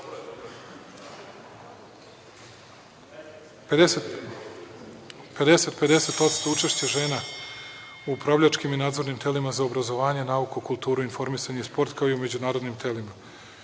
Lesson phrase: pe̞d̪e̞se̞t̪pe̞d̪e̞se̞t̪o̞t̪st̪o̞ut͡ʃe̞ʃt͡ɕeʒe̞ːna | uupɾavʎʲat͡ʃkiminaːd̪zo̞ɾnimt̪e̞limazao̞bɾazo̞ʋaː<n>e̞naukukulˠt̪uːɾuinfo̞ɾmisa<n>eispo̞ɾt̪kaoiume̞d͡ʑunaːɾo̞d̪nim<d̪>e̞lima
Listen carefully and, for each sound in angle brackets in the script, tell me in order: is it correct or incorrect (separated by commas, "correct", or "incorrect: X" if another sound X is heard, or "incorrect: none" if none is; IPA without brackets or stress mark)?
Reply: incorrect: ɲ, incorrect: ɲ, incorrect: t̪